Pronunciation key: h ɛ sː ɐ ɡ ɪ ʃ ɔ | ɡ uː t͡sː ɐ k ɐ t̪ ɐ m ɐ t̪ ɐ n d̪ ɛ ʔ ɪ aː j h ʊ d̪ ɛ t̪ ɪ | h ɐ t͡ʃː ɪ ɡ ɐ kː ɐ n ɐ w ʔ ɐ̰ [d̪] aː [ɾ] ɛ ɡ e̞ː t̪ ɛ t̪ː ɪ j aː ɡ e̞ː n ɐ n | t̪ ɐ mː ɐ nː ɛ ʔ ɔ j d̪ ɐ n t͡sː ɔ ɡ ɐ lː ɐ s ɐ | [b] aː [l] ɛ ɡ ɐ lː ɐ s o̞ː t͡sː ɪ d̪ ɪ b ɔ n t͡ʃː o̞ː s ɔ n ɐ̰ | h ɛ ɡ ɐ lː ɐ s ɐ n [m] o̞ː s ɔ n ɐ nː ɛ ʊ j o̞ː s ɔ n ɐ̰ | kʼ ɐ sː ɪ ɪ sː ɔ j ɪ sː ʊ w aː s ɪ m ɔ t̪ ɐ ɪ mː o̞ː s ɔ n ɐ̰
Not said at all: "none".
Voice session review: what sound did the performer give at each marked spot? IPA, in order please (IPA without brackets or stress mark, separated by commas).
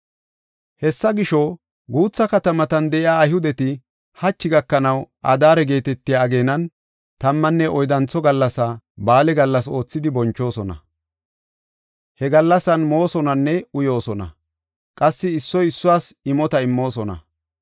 d̪, ɾ, b, l, m